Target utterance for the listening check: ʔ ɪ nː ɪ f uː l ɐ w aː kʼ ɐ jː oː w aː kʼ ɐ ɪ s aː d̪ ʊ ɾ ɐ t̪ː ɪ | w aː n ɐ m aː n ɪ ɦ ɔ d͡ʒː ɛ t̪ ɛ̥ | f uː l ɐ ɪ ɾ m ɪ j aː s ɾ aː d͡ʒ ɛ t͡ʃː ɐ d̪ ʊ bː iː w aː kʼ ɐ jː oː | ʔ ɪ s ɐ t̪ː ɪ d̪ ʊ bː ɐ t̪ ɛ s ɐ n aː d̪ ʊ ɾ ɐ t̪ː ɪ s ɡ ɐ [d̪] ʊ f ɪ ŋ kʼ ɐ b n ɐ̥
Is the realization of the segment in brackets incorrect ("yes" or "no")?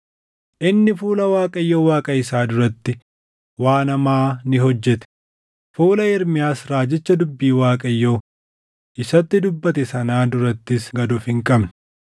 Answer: no